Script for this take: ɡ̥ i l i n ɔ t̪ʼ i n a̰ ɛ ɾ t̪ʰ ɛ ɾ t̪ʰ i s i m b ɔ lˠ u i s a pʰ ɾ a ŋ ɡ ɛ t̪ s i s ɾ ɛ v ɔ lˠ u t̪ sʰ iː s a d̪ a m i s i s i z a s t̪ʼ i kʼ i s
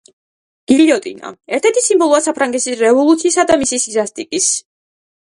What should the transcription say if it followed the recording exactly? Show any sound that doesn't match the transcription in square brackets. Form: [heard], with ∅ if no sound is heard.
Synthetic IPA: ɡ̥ i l i [∅] ɔ t̪ʼ i n a̰ ɛ ɾ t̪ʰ ɛ ɾ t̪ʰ i s i m b ɔ lˠ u [a] s a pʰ ɾ a ŋ ɡ ɛ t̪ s i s ɾ ɛ v ɔ lˠ u t̪ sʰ iː s a d̪ a m i s i s i z a s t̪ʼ i kʼ i s